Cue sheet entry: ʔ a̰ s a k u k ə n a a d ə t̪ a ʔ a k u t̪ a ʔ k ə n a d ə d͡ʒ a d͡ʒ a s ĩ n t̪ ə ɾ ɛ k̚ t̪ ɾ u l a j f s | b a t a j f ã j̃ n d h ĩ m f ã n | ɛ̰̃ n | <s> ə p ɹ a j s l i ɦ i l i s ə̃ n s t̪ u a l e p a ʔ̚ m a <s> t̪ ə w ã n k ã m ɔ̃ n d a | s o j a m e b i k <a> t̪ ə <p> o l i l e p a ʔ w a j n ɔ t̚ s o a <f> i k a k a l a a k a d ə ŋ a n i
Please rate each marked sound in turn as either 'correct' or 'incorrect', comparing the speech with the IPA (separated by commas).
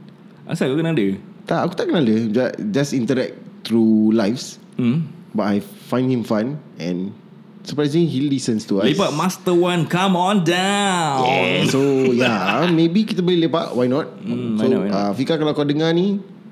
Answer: correct, correct, incorrect, incorrect, correct